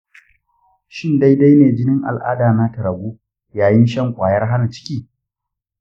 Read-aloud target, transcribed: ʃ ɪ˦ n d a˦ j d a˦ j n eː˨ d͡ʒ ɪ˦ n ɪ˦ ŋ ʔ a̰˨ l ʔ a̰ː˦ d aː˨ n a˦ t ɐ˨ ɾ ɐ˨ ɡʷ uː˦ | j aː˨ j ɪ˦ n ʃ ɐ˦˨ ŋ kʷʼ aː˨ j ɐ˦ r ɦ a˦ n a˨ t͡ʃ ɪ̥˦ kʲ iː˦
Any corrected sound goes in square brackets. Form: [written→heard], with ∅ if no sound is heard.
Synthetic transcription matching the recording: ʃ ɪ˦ n d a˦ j d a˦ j n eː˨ d͡ʒ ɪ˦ n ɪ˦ ŋ ʔ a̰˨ l ʔ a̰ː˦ d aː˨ n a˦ t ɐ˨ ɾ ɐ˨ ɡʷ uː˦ | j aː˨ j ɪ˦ n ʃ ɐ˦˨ ŋ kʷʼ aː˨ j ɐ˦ r ɦ a˦ n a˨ t͡ʃ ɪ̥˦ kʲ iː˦